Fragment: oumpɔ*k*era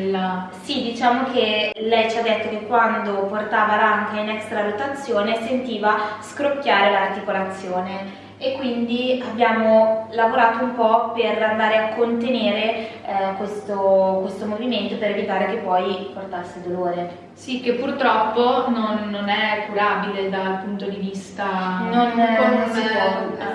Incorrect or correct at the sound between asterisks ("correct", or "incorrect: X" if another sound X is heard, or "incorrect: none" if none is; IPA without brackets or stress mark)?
incorrect: p